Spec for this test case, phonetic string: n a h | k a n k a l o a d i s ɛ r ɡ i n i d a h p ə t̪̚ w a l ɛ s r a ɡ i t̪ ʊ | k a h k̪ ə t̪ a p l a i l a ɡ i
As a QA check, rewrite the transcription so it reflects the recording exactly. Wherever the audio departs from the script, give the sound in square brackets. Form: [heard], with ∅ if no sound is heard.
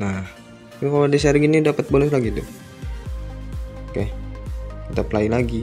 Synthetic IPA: n a h | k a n k a l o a d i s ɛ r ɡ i n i d a [∅] p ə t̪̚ [b] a l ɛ s [l] a ɡ i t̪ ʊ | k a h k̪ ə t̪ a p l a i l a ɡ i